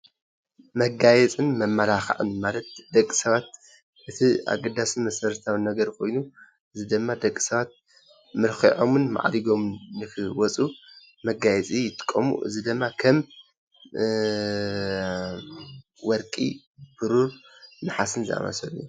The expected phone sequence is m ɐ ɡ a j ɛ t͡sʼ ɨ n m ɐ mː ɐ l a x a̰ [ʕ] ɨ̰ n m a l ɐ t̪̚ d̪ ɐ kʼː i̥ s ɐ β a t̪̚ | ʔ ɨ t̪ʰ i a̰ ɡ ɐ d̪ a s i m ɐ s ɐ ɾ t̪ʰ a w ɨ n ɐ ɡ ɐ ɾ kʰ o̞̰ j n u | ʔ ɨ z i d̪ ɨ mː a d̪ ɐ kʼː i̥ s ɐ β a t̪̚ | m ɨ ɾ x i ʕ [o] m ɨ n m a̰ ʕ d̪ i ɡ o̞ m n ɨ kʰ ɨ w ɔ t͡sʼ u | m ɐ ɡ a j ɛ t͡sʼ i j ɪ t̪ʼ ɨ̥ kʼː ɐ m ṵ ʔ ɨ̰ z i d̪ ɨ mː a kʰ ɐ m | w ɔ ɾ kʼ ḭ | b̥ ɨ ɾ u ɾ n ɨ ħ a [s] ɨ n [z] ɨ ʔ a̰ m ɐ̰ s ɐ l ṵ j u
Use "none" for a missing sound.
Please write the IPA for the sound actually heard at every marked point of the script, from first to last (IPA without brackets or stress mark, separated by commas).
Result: ʕ, o, s, z